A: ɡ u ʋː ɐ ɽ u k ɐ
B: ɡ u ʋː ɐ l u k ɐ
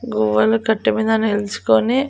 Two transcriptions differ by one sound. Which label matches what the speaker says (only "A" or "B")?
B